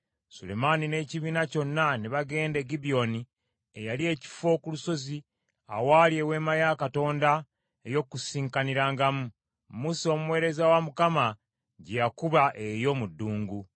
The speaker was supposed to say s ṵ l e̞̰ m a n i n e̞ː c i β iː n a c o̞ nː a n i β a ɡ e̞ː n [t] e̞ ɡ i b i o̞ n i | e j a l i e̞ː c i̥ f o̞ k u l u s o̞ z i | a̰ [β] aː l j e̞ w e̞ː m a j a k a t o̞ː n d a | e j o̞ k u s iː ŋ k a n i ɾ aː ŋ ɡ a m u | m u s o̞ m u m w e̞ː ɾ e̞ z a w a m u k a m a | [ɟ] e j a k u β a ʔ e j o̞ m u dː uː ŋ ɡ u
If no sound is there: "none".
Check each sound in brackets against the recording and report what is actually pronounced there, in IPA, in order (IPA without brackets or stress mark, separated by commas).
d, w, ɟ